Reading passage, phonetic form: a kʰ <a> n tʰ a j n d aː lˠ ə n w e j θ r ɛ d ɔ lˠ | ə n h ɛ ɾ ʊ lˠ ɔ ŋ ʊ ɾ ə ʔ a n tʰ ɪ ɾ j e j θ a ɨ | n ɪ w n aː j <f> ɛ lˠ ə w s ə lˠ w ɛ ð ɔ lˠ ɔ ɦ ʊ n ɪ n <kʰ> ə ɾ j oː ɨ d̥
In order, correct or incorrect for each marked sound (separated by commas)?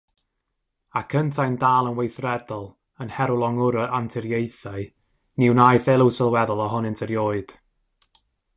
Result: incorrect, incorrect, incorrect